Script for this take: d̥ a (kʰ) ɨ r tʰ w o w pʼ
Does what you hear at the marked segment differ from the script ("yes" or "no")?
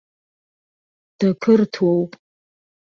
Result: no